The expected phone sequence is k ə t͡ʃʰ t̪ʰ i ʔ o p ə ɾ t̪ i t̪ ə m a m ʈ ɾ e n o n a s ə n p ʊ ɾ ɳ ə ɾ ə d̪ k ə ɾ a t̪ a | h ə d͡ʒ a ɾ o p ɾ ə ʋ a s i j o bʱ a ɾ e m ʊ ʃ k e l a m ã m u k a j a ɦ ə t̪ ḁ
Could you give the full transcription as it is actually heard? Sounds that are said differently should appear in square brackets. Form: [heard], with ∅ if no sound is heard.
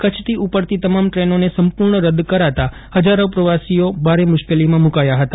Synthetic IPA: k ə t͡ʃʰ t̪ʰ i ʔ [u] p ə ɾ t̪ i t̪ ə m a m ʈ ɾ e n o n [e] s ə [m] p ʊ ɾ ɳ ə ɾ ə d̪ k ə ɾ a t̪ a | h ə d͡ʒ a ɾ o p ɾ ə ʋ a s i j o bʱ a ɾ e m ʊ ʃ k e l [i] m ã m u k a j a ɦ ə t̪ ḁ